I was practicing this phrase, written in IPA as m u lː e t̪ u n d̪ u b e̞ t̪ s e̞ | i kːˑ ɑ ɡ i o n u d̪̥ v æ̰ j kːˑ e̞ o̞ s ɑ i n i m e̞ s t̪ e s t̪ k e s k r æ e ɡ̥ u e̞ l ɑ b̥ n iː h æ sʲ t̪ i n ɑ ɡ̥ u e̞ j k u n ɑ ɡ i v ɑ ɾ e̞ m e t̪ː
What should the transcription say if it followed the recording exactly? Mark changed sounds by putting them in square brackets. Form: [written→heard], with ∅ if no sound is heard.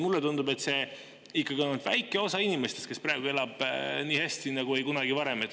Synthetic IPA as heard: m u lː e t̪ u n d̪ u b e̞ t̪ s e̞ | i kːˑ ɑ ɡ i o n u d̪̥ v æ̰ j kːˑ e̞ o̞ s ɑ i n i m e̞ s t̪ e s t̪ k e s [k→p] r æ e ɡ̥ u e̞ l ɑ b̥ n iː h æ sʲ t̪ i n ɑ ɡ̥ u e̞ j k u n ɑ ɡ i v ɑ ɾ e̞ m e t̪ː